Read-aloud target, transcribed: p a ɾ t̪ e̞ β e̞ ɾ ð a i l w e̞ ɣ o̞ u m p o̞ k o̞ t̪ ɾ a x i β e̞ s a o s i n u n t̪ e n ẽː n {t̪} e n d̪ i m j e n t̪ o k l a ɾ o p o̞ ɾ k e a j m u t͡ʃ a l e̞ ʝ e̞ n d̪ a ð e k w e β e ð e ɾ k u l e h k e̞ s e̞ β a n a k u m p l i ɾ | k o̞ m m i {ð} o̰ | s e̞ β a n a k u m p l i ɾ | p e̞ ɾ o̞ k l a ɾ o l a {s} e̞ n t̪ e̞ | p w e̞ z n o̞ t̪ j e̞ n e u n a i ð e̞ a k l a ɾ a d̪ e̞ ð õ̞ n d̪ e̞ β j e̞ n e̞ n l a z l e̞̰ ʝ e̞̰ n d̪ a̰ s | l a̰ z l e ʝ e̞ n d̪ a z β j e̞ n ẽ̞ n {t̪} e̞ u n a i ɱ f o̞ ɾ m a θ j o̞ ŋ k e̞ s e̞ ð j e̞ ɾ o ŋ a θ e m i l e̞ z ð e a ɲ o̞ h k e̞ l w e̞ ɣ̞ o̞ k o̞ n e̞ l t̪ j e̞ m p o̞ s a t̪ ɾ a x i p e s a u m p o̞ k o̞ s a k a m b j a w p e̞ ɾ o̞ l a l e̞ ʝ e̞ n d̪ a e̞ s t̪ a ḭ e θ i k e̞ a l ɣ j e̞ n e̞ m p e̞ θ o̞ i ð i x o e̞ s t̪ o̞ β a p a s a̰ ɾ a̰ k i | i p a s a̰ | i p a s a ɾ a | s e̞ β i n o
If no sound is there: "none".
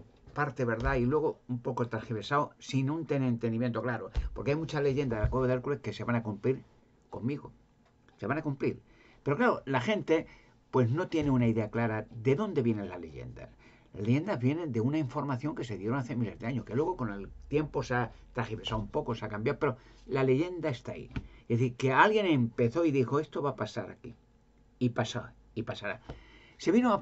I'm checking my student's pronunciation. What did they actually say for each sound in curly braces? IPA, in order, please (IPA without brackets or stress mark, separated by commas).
t̪, ɣ, x, d̪